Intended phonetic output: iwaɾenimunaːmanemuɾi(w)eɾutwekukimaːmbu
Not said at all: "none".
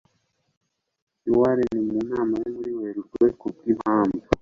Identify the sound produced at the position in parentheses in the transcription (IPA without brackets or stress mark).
w